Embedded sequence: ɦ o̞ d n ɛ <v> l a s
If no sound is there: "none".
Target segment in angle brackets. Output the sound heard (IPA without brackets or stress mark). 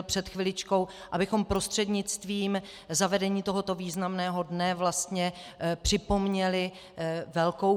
v